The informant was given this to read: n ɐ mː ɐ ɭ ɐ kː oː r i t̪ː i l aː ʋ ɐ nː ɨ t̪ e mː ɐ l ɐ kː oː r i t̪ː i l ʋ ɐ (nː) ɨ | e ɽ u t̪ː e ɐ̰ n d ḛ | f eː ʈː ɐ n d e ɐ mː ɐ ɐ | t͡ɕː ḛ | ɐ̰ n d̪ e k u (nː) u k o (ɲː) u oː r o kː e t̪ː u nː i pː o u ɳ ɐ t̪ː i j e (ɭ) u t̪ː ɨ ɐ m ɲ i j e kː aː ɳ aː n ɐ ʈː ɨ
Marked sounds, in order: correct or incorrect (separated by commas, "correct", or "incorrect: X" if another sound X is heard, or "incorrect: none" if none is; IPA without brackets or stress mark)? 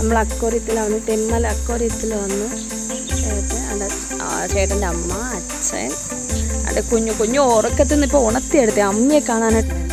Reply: correct, incorrect: ɲː, correct, incorrect: ɽ